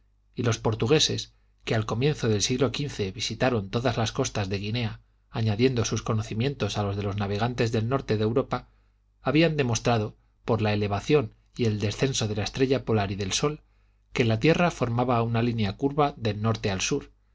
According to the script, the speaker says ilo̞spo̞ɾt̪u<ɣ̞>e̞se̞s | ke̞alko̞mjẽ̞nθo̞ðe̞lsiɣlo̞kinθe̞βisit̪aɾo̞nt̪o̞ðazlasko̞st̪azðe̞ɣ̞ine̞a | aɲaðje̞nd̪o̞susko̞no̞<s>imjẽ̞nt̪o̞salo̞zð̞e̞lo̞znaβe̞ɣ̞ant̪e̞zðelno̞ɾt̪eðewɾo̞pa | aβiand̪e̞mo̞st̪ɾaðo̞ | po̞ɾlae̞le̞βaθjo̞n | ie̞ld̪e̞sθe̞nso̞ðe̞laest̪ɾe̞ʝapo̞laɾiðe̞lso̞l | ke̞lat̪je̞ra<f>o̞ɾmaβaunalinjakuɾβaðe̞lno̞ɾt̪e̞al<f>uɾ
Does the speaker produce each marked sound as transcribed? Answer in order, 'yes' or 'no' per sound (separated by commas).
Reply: yes, no, yes, no